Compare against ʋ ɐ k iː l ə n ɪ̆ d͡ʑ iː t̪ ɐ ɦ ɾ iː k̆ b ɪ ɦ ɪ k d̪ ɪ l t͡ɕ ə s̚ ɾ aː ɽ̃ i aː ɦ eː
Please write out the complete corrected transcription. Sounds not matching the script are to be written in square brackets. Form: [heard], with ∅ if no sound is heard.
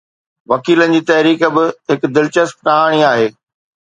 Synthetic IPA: ʋ ɐ k iː l ə n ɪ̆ d͡ʑ iː t̪ ɐ ɦ ɾ iː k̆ b ɪ ɦ ɪ k d̪ ɪ l t͡ɕ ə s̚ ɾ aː ɽ̃ i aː ɦ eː